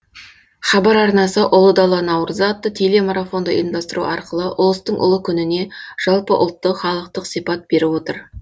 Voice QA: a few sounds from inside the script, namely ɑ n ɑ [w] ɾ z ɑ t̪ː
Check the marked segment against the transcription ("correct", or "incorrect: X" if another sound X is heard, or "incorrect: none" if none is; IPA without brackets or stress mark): correct